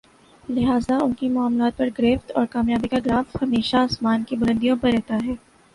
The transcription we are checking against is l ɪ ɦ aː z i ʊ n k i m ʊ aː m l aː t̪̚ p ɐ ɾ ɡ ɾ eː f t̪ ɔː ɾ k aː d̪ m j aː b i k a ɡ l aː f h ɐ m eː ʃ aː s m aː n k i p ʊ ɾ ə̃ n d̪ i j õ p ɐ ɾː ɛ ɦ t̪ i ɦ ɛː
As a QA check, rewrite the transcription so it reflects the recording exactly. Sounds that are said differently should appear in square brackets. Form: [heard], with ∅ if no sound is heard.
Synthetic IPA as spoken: l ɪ ɦ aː z [a] ʊ n k i m ʊ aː m l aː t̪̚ p ɐ ɾ ɡ ɾ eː f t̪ ɔː ɾ k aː [∅] m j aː b i k a ɡ [ɾ] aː f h ɐ m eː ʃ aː s m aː n k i [b] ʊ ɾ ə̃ n d̪ i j õ p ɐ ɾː ɛ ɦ t̪ [a] ɦ ɛː